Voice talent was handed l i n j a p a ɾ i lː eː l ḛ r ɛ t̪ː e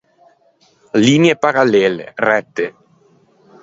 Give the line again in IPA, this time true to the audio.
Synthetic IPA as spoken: l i n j e p a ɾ a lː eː l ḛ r ɛ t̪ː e